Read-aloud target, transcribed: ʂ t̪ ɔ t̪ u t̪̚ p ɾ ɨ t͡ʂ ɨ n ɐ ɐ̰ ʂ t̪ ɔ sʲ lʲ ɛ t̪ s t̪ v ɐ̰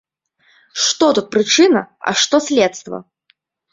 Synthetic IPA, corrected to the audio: ʂ t̪ ɔ t̪ u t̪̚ p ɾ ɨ t͡ʂ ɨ n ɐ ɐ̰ ʂ t̪ ɔ sʲ lʲ ɛ t̪ s t̪ v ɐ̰